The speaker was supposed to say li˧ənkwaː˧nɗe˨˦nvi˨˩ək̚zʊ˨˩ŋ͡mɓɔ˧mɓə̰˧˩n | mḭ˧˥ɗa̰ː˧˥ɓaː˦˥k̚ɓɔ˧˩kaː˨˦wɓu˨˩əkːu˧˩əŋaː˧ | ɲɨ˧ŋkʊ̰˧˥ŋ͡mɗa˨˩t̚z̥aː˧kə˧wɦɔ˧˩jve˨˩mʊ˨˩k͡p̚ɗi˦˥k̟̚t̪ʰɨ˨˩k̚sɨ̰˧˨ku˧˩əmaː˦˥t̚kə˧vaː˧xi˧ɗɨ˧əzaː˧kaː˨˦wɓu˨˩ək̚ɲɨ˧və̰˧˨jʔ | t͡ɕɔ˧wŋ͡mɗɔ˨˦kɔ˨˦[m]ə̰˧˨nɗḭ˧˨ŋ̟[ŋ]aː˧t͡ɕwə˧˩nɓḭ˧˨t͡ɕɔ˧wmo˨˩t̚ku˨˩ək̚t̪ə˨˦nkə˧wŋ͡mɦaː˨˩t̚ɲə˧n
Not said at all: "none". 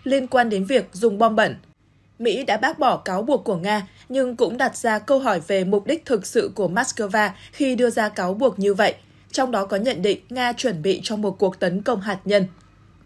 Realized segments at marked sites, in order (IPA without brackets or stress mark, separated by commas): ɲ, ŋ